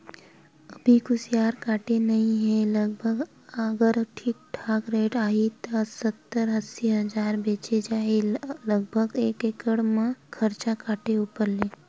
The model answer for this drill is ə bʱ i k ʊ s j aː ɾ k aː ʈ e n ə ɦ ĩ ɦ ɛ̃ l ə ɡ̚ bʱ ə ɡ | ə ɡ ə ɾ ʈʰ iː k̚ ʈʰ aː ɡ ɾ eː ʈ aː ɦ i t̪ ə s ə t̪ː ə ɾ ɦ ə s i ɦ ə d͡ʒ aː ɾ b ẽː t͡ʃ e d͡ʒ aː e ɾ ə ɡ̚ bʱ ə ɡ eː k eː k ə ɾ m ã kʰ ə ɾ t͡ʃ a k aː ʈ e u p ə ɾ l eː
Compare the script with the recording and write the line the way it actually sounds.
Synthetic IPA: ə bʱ i k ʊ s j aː ɾ k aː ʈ e n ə ɦ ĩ ɦ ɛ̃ l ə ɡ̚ bʱ ə ɡ | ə ɡ ə ɾ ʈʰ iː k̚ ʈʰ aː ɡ ɾ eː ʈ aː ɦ i t̪ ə s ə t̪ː ə ɾ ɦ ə s i ɦ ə d͡ʒ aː ɾ b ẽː t͡ʃ e d͡ʒ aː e l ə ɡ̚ bʱ ə ɡ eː k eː k ə ɽ m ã kʰ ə ɾ t͡ʃ a k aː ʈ e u p ə ɾ l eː

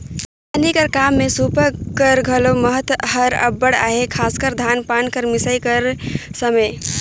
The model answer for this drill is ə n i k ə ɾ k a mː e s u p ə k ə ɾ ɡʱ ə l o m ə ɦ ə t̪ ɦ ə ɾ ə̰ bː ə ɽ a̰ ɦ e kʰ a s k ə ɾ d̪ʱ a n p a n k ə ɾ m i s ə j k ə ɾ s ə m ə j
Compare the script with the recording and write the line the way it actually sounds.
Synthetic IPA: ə n i k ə ɾ k a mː e s u p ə k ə ɾ ɡʱ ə l o m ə ɦ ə t̪ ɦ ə ɾ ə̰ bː ə ɽ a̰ ɦ e kʰ a s k ə ɾ d̪ʱ a n p a n k ə ɾ m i s ə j k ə ɾ s ə m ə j

